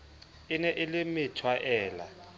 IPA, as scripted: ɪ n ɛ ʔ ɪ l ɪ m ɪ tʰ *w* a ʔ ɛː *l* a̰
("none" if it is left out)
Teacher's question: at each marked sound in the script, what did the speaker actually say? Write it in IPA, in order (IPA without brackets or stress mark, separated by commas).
w, l